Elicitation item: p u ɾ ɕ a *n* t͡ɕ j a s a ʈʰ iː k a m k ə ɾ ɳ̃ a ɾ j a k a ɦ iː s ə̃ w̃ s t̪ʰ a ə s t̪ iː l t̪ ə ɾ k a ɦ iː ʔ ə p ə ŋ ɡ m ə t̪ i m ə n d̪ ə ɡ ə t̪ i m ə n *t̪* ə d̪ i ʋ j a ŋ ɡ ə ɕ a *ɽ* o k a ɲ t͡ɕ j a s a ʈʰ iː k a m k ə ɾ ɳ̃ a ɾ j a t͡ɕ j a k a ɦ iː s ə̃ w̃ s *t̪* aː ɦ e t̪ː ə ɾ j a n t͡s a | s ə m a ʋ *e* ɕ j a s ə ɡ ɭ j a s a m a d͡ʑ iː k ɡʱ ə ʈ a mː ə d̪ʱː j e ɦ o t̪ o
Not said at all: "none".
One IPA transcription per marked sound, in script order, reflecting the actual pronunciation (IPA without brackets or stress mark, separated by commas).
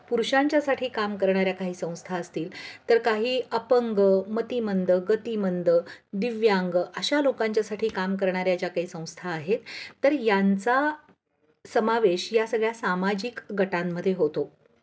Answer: ɲ, d̪, l, t̪ʰ, e